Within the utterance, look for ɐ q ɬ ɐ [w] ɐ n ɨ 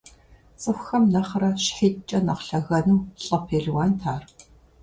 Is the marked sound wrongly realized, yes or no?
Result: yes